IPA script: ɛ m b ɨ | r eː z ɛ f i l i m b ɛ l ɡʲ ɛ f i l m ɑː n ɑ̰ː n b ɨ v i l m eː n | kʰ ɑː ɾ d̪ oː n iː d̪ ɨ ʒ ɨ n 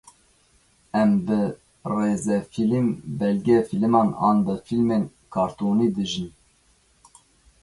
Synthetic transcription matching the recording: ɛ m b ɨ | r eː z ɛ f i l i m b ɛ l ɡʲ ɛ f i l m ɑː n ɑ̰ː n b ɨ f i l m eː n | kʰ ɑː ɾ t̪ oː n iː d̪ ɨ ʒ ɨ n